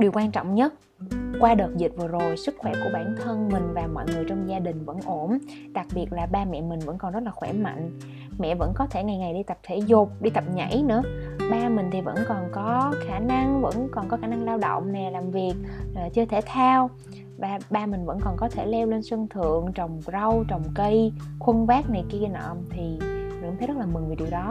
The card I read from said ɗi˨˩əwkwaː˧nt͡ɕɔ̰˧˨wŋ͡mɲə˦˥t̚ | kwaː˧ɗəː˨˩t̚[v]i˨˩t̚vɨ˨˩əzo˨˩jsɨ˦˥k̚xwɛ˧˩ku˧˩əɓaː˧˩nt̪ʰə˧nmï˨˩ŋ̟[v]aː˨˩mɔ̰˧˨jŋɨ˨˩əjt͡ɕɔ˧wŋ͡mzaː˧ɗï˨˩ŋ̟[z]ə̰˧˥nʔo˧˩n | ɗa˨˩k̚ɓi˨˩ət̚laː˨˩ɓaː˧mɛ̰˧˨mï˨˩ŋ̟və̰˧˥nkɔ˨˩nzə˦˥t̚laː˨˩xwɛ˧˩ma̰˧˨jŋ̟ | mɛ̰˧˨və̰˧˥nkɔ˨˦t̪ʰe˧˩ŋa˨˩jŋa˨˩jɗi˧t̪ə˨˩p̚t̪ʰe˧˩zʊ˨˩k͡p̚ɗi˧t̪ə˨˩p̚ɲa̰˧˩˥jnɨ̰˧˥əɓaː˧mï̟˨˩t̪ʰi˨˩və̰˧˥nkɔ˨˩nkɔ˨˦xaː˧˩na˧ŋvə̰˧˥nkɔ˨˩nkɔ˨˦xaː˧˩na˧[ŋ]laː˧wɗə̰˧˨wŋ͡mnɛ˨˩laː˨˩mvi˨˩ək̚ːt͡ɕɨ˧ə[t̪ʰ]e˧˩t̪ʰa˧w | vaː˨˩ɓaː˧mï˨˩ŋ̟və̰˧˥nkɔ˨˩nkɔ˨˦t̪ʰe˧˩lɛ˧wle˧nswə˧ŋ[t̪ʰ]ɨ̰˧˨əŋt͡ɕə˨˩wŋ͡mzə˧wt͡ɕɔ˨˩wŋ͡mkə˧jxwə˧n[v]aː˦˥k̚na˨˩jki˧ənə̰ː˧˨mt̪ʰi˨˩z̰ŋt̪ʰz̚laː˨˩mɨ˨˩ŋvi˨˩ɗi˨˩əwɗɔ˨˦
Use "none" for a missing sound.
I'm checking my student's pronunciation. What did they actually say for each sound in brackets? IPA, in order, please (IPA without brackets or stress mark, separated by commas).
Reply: z, v, v, ŋ, t̪ʰ, t̪ʰ, v